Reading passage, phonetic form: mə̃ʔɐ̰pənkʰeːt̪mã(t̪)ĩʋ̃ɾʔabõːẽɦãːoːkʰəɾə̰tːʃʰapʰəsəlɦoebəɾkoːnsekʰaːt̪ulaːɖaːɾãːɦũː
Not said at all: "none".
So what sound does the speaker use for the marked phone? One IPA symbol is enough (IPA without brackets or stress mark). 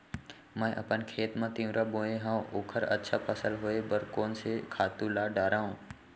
t̪